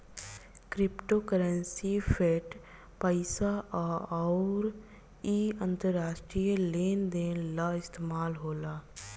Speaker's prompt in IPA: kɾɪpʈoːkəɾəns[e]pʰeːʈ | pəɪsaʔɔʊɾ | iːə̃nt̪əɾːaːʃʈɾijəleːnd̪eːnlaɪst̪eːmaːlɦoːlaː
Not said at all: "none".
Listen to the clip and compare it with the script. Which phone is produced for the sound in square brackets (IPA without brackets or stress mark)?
i